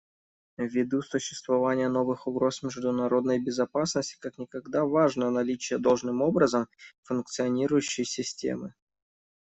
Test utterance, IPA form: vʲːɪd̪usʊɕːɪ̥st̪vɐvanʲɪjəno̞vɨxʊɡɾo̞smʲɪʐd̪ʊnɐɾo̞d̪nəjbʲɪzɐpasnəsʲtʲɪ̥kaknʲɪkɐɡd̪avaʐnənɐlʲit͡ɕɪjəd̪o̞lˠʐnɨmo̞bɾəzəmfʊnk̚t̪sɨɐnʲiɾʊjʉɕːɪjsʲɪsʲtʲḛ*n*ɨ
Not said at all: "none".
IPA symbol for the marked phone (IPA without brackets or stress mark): m